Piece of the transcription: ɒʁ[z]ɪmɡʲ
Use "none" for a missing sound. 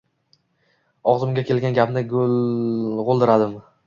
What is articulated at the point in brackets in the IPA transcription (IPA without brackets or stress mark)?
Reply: z